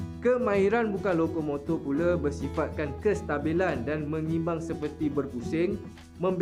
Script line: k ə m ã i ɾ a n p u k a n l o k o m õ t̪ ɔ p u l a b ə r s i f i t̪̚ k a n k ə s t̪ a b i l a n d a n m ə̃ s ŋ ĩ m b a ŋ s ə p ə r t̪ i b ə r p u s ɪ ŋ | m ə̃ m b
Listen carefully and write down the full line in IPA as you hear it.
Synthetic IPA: k ə m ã i ɾ a n b u k a n l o k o m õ t̪ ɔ p u l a b ə r s i f a t̪̚ k a n k ə s t̪ a b i l a n d a n m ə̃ ŋ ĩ m b a ŋ s ə p ə r t̪ i b ə r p u s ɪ ŋ | m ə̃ m b